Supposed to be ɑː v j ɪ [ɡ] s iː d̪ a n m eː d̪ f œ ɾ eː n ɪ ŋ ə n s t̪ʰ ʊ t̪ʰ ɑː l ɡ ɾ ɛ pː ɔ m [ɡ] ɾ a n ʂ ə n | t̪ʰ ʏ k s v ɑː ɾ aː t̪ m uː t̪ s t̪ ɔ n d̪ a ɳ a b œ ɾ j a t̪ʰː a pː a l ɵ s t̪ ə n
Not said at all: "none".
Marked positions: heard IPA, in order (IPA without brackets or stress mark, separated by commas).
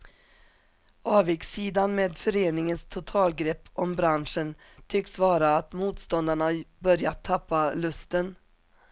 k, b